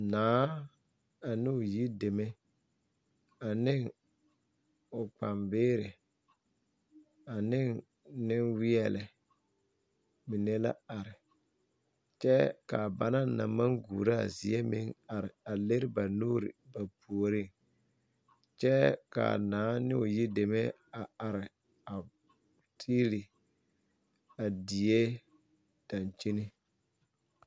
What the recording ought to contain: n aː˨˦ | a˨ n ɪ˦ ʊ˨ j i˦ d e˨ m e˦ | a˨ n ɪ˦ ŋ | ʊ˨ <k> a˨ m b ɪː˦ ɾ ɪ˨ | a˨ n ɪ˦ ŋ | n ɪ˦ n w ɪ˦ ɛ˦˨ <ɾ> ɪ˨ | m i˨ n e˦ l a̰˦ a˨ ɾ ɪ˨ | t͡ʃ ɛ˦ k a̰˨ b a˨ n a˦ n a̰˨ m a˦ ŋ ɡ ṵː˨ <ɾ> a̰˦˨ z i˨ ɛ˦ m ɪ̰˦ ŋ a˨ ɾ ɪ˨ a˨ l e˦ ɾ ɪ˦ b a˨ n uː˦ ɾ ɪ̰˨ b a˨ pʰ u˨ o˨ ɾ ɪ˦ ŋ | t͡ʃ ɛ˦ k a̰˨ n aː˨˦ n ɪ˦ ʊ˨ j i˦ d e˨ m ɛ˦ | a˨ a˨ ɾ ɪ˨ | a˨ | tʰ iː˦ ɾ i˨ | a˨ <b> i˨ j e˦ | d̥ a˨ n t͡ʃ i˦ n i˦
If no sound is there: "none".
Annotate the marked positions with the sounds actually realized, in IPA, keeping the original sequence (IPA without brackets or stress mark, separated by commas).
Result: k͡p, l, ɾ, d